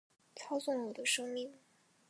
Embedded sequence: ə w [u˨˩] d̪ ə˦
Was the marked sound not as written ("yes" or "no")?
yes